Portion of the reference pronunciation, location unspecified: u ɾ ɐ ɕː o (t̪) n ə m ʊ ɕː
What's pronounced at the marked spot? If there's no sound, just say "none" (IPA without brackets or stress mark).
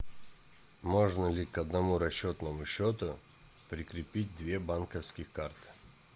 t̪